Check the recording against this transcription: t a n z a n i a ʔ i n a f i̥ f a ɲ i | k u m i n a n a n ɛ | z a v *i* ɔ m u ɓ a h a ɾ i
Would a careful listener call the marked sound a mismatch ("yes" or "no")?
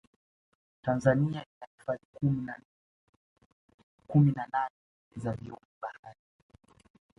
no